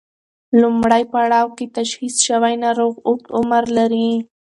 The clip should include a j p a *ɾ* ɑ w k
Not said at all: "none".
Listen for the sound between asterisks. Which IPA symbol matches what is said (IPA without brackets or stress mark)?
ɽ